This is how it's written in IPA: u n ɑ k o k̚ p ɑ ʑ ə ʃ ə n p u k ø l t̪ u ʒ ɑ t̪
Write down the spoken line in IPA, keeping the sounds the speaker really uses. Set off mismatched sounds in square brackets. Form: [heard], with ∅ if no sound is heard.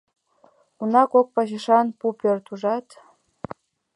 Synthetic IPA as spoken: u n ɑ k o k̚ p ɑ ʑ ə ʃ [ɑ] n p u [p] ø [r] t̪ u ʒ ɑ t̪